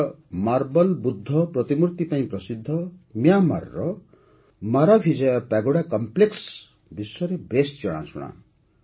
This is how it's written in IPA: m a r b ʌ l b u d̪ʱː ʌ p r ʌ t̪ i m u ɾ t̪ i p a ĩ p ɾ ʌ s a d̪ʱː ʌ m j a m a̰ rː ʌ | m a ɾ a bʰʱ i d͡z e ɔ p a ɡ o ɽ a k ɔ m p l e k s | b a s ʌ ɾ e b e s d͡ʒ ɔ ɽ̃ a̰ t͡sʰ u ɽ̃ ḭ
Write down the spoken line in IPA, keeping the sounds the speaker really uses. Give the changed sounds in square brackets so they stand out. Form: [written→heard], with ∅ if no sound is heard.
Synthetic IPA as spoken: m a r b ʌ l b u d̪ʱː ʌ p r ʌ t̪ i m u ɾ t̪ i p a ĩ p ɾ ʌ s [a→i] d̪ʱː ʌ m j a m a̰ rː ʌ | m a ɾ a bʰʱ i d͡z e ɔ p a ɡ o ɽ a k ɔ m p l e k s | b [a→i] s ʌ ɾ e b e s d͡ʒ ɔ ɽ̃ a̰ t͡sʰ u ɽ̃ [ḭ→a̰]